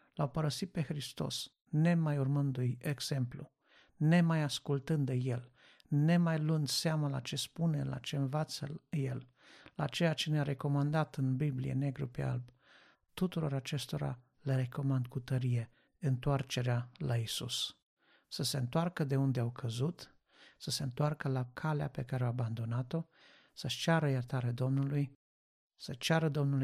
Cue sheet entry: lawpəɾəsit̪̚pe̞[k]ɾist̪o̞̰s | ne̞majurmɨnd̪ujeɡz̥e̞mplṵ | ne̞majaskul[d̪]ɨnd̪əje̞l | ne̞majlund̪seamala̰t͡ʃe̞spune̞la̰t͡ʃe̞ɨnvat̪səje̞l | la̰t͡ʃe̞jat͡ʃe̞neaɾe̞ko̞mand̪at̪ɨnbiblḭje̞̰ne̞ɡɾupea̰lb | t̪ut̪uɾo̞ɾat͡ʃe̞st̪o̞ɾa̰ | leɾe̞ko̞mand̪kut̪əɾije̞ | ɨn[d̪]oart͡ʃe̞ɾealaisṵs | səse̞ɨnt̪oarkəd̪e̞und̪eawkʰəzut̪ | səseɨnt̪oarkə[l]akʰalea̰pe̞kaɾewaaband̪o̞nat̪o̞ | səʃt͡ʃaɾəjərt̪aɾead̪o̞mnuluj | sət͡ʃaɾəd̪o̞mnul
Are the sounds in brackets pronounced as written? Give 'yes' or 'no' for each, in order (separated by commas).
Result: no, no, no, yes